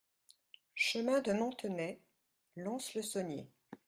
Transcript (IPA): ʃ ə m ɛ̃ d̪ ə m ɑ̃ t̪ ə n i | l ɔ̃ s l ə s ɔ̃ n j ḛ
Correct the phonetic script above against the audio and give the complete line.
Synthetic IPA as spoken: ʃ ə m ɛ̃ d̪ ə m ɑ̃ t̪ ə n ɛ | l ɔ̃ s l ə s ɔ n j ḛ